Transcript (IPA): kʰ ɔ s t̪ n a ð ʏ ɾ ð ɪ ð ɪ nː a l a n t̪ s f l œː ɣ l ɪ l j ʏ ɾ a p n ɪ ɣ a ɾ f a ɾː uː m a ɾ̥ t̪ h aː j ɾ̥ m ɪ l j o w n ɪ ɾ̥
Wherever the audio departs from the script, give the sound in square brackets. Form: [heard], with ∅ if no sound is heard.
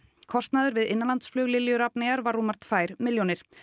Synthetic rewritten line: kʰ ɔ s t̪ n a ð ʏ ɾ [v] ɪ ð ɪ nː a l a n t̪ s f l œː ɣ l ɪ l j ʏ ɾ a p n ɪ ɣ a ɾ [v] a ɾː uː m a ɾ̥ t̪ [f] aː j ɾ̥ m ɪ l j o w n ɪ ɾ̥